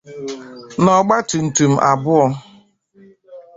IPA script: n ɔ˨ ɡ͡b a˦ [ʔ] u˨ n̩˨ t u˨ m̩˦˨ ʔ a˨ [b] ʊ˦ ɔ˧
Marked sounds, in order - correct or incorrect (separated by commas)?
incorrect, correct